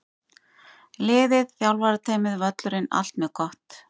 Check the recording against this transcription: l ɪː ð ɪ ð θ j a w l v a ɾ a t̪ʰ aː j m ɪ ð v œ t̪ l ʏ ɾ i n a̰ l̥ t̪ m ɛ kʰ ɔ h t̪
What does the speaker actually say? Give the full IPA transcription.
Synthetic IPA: l ɪː ð ɪ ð θ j a w l v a ɾ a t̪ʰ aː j m ɪ ð v œ t̪ l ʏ ɾ ɪ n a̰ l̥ t̪ m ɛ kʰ ɔ h t̪